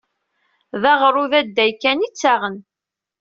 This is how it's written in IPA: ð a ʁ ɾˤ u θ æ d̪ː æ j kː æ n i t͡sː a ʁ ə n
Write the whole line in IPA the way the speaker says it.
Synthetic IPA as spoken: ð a ʁ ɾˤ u ð æ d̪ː æ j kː æ n i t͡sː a ʁ ə n